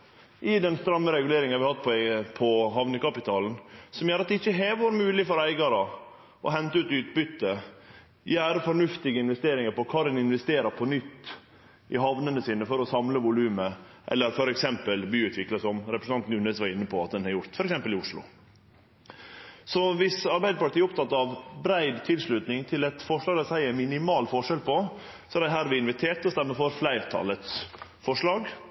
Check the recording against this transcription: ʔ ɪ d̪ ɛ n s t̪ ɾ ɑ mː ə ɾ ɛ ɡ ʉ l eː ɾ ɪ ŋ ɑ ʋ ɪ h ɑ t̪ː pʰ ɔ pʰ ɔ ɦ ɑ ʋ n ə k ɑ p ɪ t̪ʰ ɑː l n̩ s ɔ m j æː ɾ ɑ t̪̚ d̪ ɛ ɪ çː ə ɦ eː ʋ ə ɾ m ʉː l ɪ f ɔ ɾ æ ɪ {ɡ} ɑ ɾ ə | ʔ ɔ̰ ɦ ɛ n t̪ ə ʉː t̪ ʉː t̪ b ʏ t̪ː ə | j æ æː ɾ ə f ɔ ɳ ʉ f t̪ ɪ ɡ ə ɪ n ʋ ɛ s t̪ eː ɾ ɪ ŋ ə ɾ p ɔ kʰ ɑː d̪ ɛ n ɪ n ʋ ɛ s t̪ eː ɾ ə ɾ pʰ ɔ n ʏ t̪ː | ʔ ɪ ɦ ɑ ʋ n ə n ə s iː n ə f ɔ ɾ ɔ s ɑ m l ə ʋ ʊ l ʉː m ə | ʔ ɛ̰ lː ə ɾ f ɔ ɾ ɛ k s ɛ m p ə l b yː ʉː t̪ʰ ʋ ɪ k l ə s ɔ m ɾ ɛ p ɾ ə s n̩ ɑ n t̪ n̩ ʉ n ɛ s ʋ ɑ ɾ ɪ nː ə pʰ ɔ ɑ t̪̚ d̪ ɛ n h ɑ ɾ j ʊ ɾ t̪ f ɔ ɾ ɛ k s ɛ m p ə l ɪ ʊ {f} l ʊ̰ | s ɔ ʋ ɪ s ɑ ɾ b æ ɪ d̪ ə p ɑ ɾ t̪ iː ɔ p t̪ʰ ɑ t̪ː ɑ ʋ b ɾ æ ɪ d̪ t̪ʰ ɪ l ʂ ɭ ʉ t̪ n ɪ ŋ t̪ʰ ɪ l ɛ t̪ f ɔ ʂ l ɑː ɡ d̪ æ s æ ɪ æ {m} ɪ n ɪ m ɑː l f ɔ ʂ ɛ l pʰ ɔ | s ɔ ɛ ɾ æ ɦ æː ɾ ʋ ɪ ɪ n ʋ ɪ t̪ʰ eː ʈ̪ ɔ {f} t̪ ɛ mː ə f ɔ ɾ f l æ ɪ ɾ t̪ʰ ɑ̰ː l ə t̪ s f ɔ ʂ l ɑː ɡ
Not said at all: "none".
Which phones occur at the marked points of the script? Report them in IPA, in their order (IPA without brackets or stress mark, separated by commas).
ɡ, ʂ, m, s